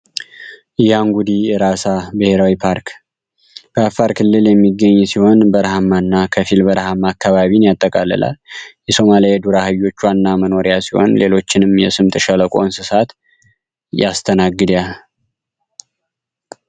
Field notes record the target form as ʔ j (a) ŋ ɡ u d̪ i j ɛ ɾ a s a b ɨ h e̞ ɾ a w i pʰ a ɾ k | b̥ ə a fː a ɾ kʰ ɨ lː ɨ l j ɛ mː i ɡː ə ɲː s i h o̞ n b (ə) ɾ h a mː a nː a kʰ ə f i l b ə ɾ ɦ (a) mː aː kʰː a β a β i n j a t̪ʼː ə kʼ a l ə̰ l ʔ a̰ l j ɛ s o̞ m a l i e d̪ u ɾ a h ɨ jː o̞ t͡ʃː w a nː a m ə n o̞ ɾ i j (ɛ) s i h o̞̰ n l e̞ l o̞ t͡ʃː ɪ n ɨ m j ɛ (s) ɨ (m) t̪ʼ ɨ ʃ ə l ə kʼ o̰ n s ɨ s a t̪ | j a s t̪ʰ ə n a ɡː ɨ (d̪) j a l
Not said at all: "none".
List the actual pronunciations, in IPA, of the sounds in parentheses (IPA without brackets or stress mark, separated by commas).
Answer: a, ə, a, a, s, m, d̪